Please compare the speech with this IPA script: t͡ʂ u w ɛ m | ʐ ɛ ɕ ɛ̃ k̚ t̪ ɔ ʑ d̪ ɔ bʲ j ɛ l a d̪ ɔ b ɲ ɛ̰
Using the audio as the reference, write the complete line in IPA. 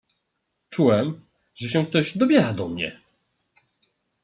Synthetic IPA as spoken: t͡ʂ u w ɛ m | ʐ ɛ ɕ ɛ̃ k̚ t̪ ɔ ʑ d̪ ɔ bʲ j ɛ ɾ a d̪ ɔ m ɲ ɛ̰